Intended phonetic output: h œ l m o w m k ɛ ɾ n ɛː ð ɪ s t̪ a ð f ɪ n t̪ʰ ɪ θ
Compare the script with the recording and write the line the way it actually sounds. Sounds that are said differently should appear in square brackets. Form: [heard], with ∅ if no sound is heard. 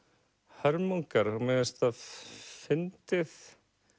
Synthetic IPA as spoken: h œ [ɾ] m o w [ŋ] k [a] ɾ [m] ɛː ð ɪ s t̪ a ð f ɪ n [t̪] ɪ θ